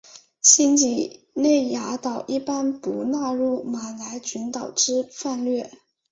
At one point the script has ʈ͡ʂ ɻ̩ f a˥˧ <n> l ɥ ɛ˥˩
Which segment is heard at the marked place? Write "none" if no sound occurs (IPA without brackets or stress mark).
n